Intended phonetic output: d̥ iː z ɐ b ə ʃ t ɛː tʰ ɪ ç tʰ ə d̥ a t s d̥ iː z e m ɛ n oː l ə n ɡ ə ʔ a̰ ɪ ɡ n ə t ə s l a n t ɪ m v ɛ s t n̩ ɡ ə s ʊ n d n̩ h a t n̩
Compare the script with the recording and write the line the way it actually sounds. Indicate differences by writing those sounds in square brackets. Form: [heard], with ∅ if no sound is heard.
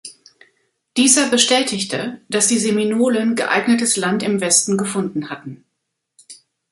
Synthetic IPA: d̥ iː z ɐ b ə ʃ t ɛː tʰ ɪ ç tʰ ə d̥ a [∅] s d̥ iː z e m [i] n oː l ə n ɡ ə ʔ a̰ ɪ ɡ n ə t ə s l a n t ɪ m v ɛ s t n̩ ɡ ə [f] ʊ n d n̩ h a t n̩